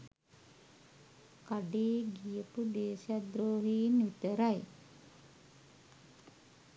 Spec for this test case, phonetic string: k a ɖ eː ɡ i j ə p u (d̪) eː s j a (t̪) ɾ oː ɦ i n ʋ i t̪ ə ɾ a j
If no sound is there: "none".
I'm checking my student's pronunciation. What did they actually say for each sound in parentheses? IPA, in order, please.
d̪, d̪

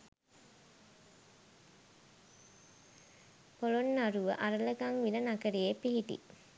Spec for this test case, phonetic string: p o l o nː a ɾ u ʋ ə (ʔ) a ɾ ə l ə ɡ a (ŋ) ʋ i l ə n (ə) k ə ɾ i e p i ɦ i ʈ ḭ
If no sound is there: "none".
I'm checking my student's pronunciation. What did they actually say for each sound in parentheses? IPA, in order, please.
ʔ, ŋ, a

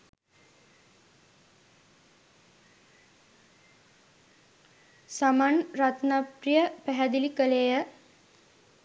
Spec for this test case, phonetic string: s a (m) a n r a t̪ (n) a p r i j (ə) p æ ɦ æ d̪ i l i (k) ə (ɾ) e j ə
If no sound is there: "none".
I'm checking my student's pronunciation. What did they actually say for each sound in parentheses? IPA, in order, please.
m, n, ə, k, l

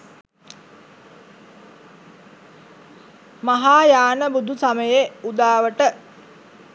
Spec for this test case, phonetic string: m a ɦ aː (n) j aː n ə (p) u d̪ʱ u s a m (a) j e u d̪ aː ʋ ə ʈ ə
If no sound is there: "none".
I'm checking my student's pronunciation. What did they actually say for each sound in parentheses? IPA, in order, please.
none, b, ə

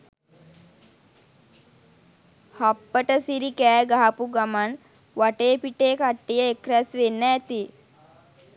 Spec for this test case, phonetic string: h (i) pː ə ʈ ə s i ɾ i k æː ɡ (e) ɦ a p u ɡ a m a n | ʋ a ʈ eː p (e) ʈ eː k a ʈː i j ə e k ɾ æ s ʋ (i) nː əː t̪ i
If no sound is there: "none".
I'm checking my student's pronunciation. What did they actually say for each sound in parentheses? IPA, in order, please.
a, a, i, e

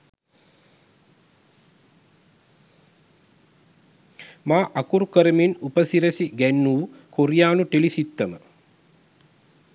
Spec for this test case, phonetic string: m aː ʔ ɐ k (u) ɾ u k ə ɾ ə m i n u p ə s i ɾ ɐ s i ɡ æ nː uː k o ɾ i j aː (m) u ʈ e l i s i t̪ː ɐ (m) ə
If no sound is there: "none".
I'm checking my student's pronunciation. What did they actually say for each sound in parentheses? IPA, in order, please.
u, n, m

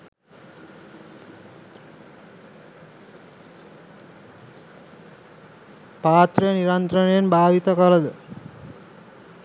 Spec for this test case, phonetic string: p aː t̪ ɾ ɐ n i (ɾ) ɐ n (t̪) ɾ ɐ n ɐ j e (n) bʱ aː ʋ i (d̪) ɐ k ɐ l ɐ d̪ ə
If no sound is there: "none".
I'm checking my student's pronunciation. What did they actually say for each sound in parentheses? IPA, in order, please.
ɾ, t̪, n, t̪

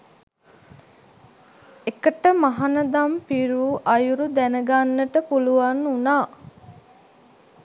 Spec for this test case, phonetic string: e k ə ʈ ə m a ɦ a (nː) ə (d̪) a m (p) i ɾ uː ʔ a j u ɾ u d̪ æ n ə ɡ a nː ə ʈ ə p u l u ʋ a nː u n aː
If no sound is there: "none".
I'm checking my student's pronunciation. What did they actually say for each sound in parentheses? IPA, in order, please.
n, d̪, p

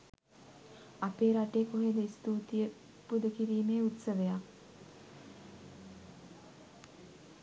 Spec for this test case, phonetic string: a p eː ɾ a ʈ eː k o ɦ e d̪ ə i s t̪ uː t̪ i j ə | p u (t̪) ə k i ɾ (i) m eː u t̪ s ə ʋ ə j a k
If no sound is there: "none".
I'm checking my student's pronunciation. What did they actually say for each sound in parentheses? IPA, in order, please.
d̪, iː

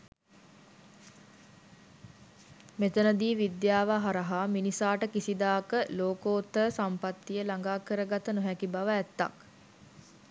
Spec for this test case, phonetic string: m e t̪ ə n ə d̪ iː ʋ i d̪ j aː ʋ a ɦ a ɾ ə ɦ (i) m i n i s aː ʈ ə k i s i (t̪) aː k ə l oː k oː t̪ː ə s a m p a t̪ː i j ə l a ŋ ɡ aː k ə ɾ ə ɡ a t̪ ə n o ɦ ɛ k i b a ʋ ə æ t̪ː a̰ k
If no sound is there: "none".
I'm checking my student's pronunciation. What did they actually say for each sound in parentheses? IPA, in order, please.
a, d̪

